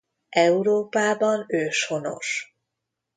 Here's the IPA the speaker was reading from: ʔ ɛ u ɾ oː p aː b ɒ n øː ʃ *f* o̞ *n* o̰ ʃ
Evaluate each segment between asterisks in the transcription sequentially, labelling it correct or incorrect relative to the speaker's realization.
incorrect: h, correct

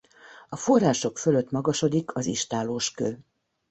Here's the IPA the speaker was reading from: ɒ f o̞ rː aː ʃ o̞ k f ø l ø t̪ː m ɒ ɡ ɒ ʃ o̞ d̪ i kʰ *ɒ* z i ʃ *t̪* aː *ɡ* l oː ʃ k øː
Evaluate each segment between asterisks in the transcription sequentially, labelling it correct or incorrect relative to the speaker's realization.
correct, correct, incorrect: none

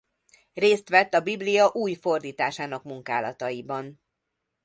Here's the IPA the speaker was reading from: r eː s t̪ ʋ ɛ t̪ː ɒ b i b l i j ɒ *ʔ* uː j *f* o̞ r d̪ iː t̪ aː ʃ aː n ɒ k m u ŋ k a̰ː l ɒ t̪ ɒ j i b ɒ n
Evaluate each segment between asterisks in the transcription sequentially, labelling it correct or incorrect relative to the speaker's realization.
correct, correct

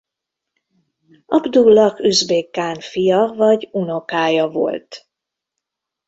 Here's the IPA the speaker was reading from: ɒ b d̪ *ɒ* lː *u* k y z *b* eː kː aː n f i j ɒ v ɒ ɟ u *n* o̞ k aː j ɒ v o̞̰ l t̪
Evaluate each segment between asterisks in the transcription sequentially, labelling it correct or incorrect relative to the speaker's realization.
incorrect: u, incorrect: ɒ, correct, correct

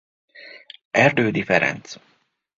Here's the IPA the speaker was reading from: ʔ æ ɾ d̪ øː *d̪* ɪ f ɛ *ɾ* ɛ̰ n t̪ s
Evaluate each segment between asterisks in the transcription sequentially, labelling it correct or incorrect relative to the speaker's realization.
correct, correct

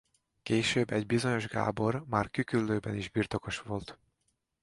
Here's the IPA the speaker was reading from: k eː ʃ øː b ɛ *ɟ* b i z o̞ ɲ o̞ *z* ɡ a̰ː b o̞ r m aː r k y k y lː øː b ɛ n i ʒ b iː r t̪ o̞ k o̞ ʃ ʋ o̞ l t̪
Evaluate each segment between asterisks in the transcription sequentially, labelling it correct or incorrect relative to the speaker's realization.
correct, incorrect: ʒ

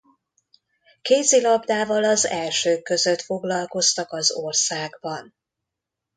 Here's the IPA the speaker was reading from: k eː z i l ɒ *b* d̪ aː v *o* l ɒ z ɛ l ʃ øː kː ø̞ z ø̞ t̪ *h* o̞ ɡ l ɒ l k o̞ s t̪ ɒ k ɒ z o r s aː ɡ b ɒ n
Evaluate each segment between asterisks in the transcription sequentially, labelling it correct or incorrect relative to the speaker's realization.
correct, incorrect: ɒ, incorrect: f

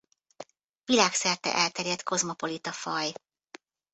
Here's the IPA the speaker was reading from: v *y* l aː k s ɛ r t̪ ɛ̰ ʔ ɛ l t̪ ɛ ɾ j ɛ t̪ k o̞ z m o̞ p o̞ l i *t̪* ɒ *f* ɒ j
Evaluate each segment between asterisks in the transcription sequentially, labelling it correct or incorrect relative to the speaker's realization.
incorrect: i, correct, correct

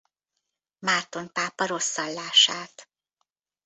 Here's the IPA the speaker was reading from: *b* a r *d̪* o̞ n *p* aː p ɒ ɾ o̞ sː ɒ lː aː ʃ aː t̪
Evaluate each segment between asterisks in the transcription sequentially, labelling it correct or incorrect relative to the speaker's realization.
incorrect: m, incorrect: t̪, correct

